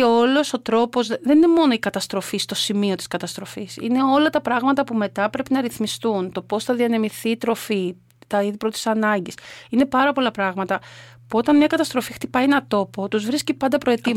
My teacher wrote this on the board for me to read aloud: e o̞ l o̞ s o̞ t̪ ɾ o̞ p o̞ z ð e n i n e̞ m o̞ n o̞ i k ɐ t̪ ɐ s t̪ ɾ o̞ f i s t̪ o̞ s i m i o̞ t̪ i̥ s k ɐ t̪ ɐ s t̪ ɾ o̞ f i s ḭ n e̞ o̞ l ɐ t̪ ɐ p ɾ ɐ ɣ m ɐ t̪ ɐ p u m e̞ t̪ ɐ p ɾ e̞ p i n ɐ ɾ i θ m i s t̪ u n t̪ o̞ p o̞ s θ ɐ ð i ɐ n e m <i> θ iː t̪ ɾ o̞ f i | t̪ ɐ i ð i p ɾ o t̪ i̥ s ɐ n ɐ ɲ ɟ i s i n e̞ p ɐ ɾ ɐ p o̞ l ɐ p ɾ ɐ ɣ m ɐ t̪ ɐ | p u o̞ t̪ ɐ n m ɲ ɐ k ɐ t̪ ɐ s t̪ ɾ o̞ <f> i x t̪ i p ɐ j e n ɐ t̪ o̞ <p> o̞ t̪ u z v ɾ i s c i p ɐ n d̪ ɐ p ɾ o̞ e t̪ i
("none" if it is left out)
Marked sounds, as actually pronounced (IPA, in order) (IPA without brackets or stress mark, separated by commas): i, f, p